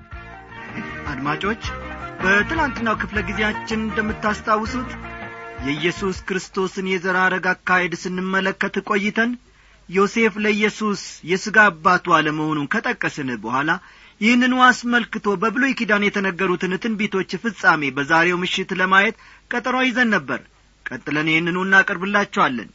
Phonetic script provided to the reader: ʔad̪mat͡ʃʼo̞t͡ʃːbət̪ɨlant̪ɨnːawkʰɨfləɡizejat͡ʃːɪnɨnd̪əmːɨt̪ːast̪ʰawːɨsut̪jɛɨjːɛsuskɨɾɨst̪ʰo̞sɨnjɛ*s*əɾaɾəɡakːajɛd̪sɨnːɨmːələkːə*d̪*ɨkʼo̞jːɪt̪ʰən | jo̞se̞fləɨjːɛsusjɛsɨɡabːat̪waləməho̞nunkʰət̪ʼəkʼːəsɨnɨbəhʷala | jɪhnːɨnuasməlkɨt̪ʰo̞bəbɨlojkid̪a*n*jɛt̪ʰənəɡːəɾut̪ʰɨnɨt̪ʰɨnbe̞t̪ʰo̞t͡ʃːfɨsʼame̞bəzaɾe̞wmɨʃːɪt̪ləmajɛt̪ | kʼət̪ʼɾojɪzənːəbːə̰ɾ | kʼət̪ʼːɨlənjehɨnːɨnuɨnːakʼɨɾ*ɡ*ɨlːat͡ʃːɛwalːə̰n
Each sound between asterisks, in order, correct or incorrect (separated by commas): incorrect, incorrect, correct, incorrect